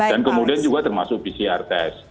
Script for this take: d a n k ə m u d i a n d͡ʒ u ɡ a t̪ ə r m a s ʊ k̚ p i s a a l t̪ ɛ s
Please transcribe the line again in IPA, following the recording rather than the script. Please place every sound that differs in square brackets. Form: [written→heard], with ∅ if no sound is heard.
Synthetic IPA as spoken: d a n k ə m u d i a n d͡ʒ u ɡ a t̪ ə r m a s ʊ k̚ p i s [a→i] a [l→r] t̪ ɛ s